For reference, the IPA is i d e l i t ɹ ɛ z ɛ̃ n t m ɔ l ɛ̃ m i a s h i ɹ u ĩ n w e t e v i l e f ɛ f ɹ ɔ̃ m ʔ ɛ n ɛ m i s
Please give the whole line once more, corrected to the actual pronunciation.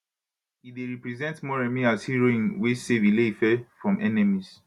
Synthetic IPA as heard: i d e ɹ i p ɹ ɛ z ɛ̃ n t m ɔ ɹ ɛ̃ m i a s h i ɹ o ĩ n w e s e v i l e f ɛ f ɹ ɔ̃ m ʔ ɛ n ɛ m i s